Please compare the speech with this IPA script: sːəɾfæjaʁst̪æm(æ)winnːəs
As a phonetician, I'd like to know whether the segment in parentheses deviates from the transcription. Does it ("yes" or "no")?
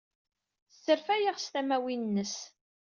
no